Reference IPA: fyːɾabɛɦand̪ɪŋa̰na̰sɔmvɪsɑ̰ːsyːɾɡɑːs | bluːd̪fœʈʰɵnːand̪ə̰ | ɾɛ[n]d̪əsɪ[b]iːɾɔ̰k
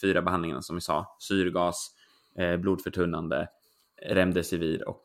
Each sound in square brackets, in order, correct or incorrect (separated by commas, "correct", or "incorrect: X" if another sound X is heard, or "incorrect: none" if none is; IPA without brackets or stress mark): incorrect: m, incorrect: v